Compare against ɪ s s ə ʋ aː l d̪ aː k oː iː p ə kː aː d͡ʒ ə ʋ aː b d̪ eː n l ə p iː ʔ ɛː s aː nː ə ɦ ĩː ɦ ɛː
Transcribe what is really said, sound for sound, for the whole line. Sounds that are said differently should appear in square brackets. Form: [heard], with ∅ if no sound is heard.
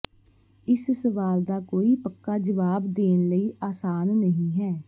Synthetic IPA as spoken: ɪ s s ə ʋ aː l d̪ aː k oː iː p ə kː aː d͡ʒ ə ʋ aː b d̪ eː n l ə [∅] iː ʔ [aː] s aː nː ə ɦ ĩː ɦ ɛː